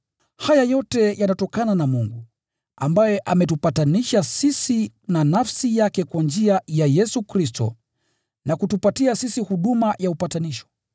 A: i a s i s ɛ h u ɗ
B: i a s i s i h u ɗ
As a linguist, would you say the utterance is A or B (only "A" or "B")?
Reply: B